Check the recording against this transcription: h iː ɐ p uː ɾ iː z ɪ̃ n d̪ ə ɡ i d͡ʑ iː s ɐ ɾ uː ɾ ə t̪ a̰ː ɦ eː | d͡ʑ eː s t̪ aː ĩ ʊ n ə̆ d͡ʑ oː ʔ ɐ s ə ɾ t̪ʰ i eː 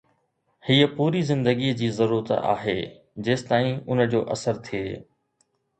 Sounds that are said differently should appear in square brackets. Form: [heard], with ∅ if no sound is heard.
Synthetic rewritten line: h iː [ə] p uː ɾ [i] z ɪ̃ n d̪ ə ɡ i d͡ʑ iː [z] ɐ ɾ uː ɾ ə t̪ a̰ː ɦ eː | d͡ʑ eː s t̪ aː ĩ ʊ n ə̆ d͡ʑ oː ʔ ɐ s ə ɾ t̪ʰ i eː